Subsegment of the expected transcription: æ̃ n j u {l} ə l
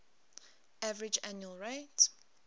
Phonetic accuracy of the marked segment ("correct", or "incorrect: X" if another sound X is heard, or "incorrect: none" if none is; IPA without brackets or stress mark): incorrect: none